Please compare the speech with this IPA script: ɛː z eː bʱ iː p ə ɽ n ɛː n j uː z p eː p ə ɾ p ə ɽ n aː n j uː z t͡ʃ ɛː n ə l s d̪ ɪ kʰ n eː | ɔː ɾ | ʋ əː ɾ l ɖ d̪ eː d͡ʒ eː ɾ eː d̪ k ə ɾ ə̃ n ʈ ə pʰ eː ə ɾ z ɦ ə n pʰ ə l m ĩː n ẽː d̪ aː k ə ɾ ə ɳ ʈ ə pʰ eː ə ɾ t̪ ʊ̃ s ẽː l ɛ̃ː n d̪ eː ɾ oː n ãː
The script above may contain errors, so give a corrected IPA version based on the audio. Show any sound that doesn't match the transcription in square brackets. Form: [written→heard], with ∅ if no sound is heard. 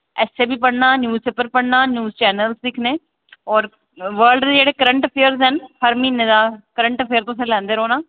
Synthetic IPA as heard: ɛː [z→s] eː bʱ iː p ə ɽ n [ɛː→aː] n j uː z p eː p ə ɾ p ə ɽ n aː n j uː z t͡ʃ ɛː n ə l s d̪ ɪ kʰ n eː | ɔː ɾ | ʋ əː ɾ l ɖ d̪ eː d͡ʒ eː [ɾ→ɽ] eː [d̪→∅] k ə ɾ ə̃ [n→ɳ] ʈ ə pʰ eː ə ɾ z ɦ ə n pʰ ə [l→ɾ] m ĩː n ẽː d̪ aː k ə ɾ ə ɳ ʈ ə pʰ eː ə ɾ t̪ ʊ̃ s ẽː l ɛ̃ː n d̪ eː ɾ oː n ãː